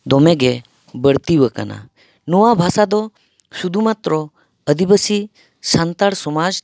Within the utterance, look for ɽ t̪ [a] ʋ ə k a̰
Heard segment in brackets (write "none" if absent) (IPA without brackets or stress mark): i